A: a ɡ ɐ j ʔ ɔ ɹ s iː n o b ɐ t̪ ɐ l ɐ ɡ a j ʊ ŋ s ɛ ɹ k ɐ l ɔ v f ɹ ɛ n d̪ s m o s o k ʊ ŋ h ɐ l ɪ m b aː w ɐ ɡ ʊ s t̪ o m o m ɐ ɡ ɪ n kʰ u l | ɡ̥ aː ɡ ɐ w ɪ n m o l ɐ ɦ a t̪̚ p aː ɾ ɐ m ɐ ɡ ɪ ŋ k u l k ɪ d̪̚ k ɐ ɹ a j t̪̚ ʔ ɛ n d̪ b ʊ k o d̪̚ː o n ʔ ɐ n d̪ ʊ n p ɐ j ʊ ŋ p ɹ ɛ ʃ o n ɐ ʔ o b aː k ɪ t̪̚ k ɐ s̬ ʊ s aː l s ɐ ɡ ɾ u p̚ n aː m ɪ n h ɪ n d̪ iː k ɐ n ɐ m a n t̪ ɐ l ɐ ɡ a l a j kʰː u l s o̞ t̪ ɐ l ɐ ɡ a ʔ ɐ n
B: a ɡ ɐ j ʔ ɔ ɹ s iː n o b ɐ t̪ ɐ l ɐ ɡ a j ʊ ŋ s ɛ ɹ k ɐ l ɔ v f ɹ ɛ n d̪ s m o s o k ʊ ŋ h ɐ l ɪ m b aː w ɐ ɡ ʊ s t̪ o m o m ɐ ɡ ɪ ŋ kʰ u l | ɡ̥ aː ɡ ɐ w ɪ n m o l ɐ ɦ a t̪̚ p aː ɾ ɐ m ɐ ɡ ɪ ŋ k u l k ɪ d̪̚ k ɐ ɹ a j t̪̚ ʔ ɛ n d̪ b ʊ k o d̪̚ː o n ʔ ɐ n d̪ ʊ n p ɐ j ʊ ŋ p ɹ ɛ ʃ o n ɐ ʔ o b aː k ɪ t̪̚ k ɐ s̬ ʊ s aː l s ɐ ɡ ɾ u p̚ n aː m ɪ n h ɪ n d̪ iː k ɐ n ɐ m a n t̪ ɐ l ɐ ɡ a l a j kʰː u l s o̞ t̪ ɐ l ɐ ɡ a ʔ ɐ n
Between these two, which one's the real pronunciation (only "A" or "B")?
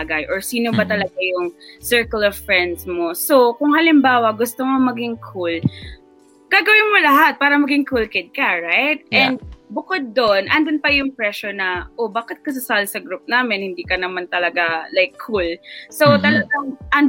B